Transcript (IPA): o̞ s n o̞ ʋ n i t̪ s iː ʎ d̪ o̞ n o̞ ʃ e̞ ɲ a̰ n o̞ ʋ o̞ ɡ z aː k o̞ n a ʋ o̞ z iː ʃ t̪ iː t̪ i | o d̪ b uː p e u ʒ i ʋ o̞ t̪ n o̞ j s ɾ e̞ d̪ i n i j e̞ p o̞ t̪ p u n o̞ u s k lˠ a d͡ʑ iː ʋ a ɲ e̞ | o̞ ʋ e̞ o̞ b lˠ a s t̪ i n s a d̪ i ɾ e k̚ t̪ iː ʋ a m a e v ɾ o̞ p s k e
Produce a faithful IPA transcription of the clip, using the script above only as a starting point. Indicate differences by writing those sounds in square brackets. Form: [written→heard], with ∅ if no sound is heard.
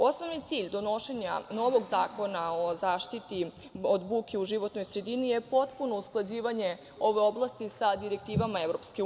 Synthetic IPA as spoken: o̞ s n o̞ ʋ n i t̪ s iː ʎ d̪ o̞ n o̞ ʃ e̞ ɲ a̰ n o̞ ʋ o̞ ɡ z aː k o̞ n a [ʋ→∅] o̞ z [iː→aː] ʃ t̪ [iː→i] t̪ i | o d̪ b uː [p→k] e u ʒ i ʋ o̞ t̪ n o̞ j s ɾ e̞ d̪ i n i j e̞ p o̞ t̪ p u n o̞ u s k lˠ a d͡ʑ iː ʋ a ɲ e̞ | o̞ ʋ e̞ o̞ b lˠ a s t̪ i [n→∅] s a d̪ i ɾ e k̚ t̪ iː ʋ a m a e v ɾ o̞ p s k e